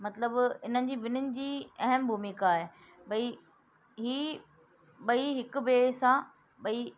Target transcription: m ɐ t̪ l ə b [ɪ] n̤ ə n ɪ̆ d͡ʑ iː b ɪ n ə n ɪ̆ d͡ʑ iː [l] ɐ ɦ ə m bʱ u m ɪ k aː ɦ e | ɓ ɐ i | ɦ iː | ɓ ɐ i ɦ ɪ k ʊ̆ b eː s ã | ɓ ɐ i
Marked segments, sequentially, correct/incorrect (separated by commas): correct, incorrect